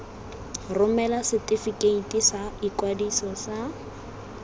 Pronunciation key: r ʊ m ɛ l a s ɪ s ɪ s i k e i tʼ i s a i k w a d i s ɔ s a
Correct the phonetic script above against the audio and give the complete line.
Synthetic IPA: r ʊ m ɛ l a s ɪ t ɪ f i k e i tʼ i s a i k w a d i s ɔ s a